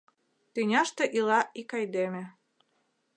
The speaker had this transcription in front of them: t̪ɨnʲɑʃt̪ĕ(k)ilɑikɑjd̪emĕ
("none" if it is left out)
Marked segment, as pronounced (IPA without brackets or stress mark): ʔ